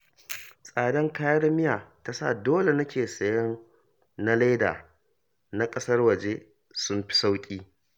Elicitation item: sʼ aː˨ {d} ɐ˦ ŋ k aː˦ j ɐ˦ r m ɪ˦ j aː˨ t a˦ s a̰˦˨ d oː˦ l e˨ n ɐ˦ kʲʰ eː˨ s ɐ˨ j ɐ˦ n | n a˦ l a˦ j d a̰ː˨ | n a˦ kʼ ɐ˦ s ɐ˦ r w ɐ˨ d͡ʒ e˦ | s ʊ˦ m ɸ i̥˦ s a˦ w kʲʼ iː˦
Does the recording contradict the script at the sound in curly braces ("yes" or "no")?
no